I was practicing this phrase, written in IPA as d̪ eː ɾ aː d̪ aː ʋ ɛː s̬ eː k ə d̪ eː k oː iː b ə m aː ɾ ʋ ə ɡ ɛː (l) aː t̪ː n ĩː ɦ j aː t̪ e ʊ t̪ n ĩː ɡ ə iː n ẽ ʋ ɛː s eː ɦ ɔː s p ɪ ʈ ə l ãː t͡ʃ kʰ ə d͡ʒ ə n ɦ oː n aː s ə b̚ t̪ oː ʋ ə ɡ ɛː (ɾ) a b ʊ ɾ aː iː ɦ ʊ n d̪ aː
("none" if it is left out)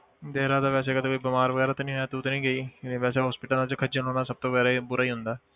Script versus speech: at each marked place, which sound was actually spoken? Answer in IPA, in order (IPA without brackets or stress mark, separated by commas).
ɾ, ɾ